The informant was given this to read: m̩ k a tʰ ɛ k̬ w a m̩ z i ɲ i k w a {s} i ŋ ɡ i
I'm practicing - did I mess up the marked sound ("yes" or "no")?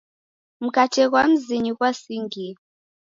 no